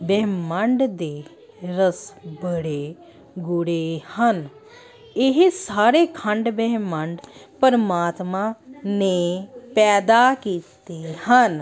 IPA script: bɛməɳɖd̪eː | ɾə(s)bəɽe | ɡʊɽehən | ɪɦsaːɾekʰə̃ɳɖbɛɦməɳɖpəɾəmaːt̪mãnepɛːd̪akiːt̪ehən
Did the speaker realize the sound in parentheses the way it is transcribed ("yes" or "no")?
yes